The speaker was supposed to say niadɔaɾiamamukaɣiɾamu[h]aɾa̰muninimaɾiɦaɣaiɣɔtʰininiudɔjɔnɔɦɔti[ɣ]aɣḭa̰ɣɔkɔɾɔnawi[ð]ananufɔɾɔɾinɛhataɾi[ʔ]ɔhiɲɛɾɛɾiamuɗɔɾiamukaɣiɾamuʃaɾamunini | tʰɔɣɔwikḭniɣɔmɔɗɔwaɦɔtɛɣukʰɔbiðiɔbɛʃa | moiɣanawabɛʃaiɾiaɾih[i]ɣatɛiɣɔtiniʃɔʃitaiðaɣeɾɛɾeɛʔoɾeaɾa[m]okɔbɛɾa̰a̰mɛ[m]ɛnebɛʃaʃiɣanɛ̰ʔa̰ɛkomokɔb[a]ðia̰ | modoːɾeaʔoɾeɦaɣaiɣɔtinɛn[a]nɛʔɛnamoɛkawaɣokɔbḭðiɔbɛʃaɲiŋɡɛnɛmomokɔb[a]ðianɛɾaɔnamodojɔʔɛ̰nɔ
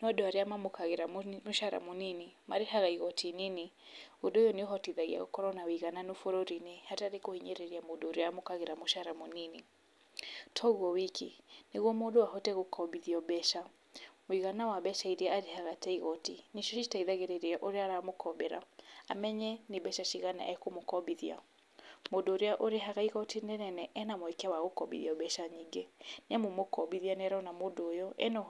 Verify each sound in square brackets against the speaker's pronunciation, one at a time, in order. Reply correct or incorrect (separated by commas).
incorrect, incorrect, incorrect, incorrect, incorrect, correct, incorrect, incorrect, incorrect, incorrect